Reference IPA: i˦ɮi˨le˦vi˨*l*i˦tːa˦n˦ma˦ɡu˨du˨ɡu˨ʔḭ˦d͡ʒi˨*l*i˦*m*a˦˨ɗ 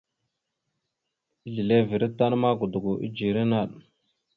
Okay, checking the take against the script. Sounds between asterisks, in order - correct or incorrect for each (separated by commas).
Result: incorrect, incorrect, incorrect